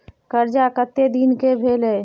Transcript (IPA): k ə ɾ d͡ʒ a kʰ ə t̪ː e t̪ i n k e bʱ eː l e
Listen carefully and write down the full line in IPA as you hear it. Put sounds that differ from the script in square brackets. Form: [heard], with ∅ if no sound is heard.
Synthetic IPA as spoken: k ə ɾ d͡ʒ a [k] ə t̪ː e [d̪] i n k e bʱ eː l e

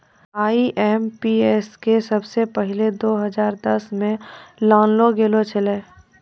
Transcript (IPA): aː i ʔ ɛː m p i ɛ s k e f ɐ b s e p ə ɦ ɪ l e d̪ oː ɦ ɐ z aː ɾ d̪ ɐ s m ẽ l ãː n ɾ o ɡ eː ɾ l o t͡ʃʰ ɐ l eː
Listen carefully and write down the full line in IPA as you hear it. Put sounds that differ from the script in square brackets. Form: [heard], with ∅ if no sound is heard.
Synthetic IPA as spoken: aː i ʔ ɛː m p i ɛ s k e [s] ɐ b s e p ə ɦ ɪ l e d̪ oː ɦ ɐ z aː ɾ d̪ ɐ s m ẽ l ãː n [l] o ɡ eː [∅] l o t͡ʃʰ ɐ l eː

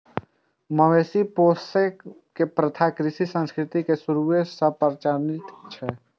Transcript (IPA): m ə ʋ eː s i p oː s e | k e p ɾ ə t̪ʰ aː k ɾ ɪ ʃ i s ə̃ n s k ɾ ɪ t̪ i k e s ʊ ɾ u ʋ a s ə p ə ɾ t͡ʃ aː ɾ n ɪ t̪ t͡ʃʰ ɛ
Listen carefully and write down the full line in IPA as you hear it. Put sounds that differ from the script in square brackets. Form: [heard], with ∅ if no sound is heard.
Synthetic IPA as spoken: m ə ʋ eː s i p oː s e | k e p ɾ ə t̪ʰ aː k ɾ ɪ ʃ i s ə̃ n s k ɾ ɪ t̪ i k e s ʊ ɾ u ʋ [e] s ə p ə ɾ t͡ʃ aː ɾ n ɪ t̪ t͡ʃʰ ɛ

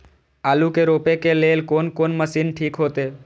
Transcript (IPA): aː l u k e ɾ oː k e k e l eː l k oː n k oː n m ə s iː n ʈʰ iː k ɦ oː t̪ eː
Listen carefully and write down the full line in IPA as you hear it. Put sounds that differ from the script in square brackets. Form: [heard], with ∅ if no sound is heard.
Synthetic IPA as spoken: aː l u k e ɾ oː [p] e k e l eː l k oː n k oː n m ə s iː n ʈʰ iː k ɦ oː t̪ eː

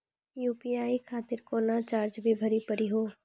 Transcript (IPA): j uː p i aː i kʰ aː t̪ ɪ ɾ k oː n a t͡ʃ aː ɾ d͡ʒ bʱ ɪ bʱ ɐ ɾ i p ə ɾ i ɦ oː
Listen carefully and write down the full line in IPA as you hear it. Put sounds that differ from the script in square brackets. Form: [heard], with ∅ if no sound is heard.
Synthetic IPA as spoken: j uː p i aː i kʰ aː t̪ ɪ ɾ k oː n a t͡ʃ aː ɾ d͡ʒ bʱ [i] bʱ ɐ ɾ i p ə ɾ i ɦ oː

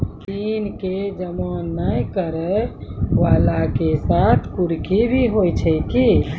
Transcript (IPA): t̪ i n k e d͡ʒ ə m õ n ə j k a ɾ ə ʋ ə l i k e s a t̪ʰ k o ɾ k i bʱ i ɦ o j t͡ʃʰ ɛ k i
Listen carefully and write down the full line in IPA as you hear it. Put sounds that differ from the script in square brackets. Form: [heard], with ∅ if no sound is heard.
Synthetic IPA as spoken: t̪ i n k e d͡ʒ ə m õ n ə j k [ə] ɾ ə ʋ [a] l [a] k e s a t̪ʰ k [u] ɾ k i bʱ i ɦ o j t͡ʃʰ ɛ k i

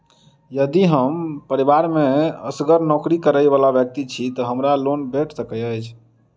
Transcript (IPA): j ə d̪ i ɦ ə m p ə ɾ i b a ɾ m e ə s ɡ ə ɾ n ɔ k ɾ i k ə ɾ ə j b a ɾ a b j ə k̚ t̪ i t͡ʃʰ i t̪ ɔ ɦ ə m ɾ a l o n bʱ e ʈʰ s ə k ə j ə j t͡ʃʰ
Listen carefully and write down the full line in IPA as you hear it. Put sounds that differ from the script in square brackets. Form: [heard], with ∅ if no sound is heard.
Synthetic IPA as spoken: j ə d̪ i ɦ ə m p ə ɾ i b a ɾ m e ə s ɡ ə ɾ n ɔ k ɾ i k ə ɾ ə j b a [l] a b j ə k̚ t̪ i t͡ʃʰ i t̪ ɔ ɦ ə m ɾ a l o n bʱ e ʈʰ s ə k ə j ə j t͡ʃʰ

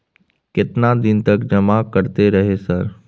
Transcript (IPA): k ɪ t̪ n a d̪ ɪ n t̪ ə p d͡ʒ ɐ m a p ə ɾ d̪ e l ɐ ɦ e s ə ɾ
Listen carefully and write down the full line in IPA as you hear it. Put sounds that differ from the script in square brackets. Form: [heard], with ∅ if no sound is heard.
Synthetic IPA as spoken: k ɪ t̪ n a d̪ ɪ n t̪ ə [k] d͡ʒ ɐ m a [k] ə ɾ [t̪] e [ɾ] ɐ ɦ e s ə ɾ

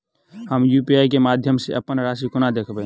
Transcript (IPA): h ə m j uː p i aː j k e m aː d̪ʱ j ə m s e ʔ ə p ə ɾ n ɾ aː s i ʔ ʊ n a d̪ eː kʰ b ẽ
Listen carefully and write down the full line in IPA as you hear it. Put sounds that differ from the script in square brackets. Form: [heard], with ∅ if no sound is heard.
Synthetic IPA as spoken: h ə m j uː p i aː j k e m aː d̪ʱ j ə m s e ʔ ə p ə [∅] n ɾ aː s i [k] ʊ n a d̪ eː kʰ b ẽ

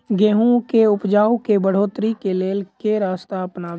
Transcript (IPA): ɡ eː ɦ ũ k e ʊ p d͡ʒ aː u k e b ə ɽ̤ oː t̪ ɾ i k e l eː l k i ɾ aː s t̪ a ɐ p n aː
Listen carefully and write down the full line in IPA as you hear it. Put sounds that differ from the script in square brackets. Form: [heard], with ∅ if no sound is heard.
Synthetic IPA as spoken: ɡ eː ɦ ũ k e ʊ p d͡ʒ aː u k e b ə ɽ̤ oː t̪ ɾ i k e l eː l k [e] ɾ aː s t̪ a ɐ p n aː

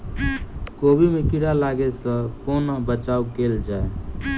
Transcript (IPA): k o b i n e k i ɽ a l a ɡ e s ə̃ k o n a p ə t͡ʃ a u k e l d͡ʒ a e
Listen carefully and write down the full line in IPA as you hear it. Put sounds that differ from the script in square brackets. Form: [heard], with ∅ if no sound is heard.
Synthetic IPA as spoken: k o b i [m] e k i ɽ a l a ɡ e s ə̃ k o n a [b] ə t͡ʃ a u k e l d͡ʒ a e

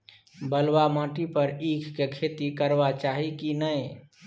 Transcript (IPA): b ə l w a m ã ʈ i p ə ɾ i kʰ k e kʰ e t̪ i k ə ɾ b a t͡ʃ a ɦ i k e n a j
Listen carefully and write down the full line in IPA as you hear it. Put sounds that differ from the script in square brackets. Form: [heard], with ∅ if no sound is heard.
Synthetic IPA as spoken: b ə l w a m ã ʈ i p ə ɾ i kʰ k e kʰ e t̪ i k ə ɾ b a t͡ʃ a ɦ i k [i] n [ə] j

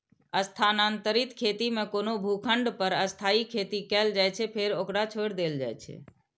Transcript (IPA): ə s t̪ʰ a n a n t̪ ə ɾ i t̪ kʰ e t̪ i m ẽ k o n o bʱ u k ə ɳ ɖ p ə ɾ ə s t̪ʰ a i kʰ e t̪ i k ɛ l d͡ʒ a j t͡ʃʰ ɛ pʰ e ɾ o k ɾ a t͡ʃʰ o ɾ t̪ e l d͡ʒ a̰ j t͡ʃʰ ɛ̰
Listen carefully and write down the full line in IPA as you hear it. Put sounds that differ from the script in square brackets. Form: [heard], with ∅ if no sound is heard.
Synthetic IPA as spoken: ə s t̪ʰ a n a n t̪ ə ɾ i t̪ kʰ e t̪ i m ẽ k o n o bʱ u [kʰ] ə ɳ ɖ p ə ɾ ə s t̪ʰ a i kʰ e t̪ i k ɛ l d͡ʒ a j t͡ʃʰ ɛ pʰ e ɾ o k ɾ a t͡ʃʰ o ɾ [d̪] e l d͡ʒ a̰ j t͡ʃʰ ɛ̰

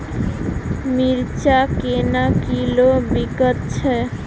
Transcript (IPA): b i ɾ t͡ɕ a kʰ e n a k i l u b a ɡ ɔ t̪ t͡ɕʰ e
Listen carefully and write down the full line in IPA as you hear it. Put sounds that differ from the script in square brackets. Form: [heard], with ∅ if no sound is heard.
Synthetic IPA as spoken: [m] i ɾ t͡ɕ a [k] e n a k i l [o] b [i] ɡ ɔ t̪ t͡ɕʰ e

